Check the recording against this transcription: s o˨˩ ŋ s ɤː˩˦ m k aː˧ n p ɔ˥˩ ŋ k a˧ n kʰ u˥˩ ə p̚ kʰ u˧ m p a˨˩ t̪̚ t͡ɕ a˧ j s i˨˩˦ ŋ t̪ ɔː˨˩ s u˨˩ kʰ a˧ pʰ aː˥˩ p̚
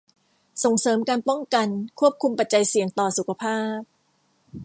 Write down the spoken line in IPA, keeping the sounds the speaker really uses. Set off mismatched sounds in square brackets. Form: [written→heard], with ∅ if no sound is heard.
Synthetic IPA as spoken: s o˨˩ ŋ s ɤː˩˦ m k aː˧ n p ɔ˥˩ ŋ k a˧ n kʰ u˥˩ ə p̚ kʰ u˧ m p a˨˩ t̪̚ t͡ɕ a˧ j s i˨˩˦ ŋ t̪ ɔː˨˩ s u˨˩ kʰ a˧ pʰ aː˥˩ p̚